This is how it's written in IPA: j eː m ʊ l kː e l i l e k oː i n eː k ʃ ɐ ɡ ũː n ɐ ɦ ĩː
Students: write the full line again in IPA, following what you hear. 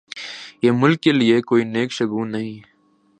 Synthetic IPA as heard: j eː m ʊ l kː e l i e k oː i n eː k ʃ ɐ ɡ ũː n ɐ ɦ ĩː